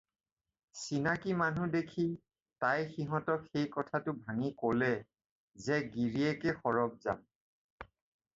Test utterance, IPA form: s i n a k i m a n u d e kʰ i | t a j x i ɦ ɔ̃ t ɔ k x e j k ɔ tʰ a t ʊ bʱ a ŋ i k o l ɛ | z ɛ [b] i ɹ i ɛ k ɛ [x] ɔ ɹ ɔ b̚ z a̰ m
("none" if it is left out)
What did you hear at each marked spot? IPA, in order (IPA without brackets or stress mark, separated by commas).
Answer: ɡ, x